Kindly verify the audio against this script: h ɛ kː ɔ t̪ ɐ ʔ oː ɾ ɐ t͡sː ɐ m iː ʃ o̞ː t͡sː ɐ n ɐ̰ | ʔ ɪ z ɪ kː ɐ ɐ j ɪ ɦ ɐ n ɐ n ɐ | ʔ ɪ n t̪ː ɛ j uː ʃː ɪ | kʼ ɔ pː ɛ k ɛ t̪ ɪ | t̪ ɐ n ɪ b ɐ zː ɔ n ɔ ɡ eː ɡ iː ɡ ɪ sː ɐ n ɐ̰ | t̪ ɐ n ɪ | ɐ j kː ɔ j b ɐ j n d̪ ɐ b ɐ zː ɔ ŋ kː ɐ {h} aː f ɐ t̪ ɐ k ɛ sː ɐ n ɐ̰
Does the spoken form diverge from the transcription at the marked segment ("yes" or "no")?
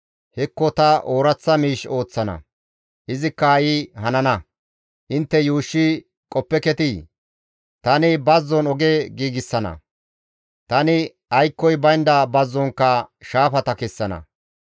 yes